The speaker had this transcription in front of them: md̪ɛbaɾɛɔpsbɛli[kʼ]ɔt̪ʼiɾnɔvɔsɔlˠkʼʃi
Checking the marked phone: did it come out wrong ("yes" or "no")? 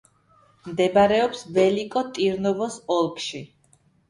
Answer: no